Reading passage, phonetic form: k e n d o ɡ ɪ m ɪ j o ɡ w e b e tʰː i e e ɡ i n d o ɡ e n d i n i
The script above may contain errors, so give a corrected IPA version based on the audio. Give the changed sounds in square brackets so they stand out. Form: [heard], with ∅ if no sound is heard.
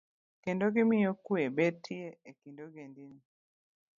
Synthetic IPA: k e n d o ɡ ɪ m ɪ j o [k] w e b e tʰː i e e [k] i n d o ɡ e n d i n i